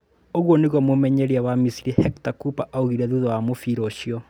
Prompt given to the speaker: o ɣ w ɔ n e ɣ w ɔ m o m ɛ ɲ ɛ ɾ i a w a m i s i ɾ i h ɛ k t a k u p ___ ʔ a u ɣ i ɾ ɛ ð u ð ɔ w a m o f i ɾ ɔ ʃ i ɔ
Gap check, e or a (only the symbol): a